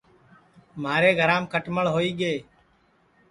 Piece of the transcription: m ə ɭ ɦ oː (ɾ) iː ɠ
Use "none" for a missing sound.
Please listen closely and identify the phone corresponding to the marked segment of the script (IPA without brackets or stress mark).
none